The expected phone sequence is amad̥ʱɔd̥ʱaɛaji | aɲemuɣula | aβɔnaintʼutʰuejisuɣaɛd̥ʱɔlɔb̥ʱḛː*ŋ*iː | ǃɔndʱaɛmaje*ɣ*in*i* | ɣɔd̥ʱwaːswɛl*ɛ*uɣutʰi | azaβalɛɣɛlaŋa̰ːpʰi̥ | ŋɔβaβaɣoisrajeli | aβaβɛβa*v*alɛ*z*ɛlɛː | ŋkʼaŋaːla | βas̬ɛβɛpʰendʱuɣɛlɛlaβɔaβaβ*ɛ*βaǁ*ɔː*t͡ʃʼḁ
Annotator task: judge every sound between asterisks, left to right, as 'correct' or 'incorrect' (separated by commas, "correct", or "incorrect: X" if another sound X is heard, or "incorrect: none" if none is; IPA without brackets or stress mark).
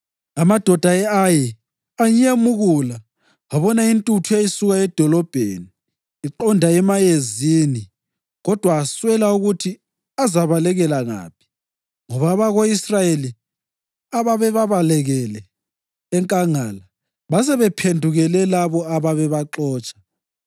incorrect: n, incorrect: z, correct, incorrect: a, incorrect: β, incorrect: ɣ, correct, correct